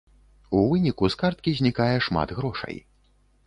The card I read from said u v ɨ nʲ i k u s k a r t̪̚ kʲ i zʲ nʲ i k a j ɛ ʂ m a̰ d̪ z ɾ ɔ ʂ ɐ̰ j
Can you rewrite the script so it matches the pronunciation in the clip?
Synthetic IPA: u v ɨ nʲ i k u s k a r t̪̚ kʲ i zʲ nʲ i k a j ɛ ʂ m a̰ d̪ ɣ ɾ ɔ ʂ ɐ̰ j

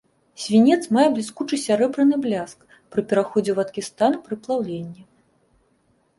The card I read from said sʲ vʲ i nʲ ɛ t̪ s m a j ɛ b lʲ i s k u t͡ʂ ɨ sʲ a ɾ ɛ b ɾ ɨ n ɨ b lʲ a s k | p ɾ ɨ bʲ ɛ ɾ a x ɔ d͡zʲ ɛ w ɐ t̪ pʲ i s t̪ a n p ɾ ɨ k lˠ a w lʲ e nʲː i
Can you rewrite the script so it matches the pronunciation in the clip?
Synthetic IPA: sʲ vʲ i nʲ ɛ t̪ s m a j ɛ b lʲ i s k u t͡ʂ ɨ sʲ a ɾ ɛ b ɾ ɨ n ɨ b lʲ a s k | p ɾ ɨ pʲ ɛ ɾ a x ɔ d͡zʲ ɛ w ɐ t̪ kʲ i s t̪ a n p ɾ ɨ p lˠ a w lʲ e nʲː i

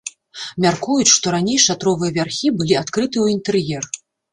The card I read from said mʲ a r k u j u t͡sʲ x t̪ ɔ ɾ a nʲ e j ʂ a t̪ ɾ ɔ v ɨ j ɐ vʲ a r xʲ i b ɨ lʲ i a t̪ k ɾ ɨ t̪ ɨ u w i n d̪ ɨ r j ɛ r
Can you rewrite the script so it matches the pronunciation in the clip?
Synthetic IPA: mʲ a r k u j u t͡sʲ ʂ t̪ ɔ ɾ a nʲ e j ʂ a t̪ ɾ ɔ v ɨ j ɐ vʲ a r xʲ i b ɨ lʲ i a t̪ k ɾ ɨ t̪ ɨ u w i n t̪ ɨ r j ɛ r

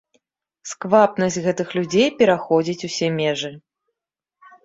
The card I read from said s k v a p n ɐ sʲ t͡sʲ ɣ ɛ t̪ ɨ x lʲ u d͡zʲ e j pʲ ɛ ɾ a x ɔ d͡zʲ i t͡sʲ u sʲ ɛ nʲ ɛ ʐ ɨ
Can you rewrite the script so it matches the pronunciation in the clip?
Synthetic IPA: s k v a p n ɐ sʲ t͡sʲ ɣ ɛ t̪ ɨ x lʲ u d͡zʲ e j pʲ ɛ ɾ a x ɔ d͡zʲ i t͡sʲ u sʲ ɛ mʲ ɛ ʐ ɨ

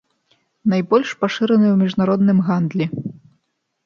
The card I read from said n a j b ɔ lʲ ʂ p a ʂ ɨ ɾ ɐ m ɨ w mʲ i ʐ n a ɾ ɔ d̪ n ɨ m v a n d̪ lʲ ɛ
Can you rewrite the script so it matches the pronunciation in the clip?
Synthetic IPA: n a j b ɔ lʲ ʂ p a ʂ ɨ ɾ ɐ n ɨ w mʲ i ʐ n a ɾ ɔ d̪ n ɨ m ɣ a n d̪ lʲ ɛ

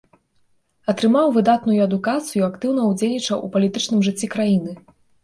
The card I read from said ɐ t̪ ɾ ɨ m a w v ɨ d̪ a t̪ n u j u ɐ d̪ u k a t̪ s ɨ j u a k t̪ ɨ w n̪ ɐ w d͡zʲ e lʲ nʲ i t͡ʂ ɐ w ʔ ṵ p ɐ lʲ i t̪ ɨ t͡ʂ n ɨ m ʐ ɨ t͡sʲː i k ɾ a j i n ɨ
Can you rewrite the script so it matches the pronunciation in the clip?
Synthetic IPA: ɐ t̪ ɾ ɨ m a w v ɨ d̪ a t̪ n u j u ɐ d̪ u k a t̪ s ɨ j u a k t̪ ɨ w n̪ ɐ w d͡zʲ e lʲ nʲ i t͡ʂ ɐ w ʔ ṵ p ɐ lʲ i t̪ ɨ t͡ʂ n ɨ m ʐ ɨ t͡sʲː i k ɾ a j i n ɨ

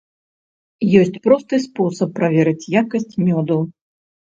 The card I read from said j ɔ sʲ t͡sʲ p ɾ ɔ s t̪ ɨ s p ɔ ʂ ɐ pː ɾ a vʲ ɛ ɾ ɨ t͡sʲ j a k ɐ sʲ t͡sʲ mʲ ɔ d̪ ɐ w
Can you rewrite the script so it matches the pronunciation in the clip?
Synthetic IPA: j ɔ sʲ t͡sʲ p ɾ ɔ s t̪ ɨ s p ɔ s ɐ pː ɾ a vʲ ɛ ɾ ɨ t͡sʲ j a k ɐ sʲ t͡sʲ mʲ ɔ d̪ ɐ w

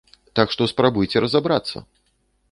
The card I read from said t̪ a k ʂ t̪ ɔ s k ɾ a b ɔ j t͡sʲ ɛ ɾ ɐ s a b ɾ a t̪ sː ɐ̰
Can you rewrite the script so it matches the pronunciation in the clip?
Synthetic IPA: t̪ a k ʂ t̪ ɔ s p ɾ a b u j t͡sʲ ɛ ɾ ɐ z a b ɾ a t̪ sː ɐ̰

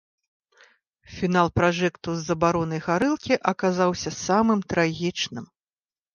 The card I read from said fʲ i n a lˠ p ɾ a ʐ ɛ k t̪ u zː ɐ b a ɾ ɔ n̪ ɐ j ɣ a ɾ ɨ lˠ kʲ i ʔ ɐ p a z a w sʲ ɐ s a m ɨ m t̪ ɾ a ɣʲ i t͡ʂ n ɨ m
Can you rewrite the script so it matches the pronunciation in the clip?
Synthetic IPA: fʲ i n a lˠ p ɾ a ʐ ɛ k t̪ u zː ɐ b a ɾ ɔ n̪ ɐ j ɣ a ɾ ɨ lˠ kʲ i ʔ ɐ k a z a w sʲ ɐ s a m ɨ m t̪ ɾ a ɣʲ i t͡ʂ n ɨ m

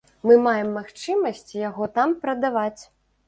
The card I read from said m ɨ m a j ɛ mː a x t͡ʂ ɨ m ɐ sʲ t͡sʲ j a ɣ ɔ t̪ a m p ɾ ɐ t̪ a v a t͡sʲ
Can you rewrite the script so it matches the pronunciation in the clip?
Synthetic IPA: m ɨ m a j ɛ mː a x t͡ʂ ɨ m ɐ sʲ t͡sʲ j a ɣ ɔ t̪ a m p ɾ ɐ d̪ a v a t͡sʲ

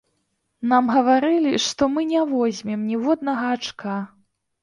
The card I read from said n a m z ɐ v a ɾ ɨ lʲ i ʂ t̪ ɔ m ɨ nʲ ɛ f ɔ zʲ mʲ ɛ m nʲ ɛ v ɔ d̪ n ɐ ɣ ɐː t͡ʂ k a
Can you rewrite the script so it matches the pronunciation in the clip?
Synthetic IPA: n a m ɣ ɐ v a ɾ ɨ lʲ i ʂ t̪ ɔ m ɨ nʲ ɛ v ɔ zʲ mʲ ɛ m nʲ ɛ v ɔ d̪ n ɐ ɣ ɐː t͡ʂ k a

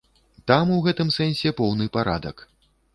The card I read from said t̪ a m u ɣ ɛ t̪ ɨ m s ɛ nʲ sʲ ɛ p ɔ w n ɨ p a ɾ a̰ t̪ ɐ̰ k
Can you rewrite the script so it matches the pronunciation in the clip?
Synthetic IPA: t̪ a m u ɣ ɛ t̪ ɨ m s ɛ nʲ sʲ ɛ p ɔ w n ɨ p a ɾ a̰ d̪ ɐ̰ k

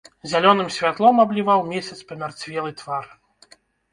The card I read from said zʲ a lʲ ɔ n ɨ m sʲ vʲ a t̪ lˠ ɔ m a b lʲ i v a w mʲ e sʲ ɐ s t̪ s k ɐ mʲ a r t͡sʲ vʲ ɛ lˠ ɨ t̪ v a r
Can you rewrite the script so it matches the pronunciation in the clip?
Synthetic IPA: zʲ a lʲ ɔ n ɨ m sʲ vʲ a t̪ lˠ ɔ m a b lʲ i v a w mʲ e sʲ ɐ t̪ s p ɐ mʲ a r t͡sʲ vʲ ɛ lˠ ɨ t̪ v a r

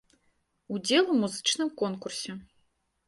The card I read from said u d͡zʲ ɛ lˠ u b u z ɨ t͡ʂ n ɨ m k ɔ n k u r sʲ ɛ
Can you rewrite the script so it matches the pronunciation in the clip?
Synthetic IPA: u d͡zʲ ɛ lˠ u m u z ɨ t͡ʂ n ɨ m k ɔ n k u r sʲ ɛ

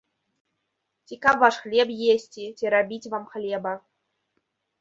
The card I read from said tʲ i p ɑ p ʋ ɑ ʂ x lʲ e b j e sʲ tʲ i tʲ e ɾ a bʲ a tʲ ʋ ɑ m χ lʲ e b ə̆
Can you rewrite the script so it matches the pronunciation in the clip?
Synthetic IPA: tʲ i k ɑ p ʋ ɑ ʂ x lʲ e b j e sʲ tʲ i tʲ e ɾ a bʲ i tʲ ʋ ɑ m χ lʲ e b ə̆

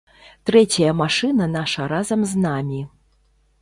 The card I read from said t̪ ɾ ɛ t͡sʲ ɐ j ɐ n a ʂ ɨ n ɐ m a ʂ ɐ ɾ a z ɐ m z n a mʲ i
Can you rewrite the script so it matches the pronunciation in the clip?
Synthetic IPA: t̪ ɾ ɛ t͡sʲ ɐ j ɐ m a ʂ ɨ n ɐ n a ʂ ɐ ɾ a z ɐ m z n a mʲ i

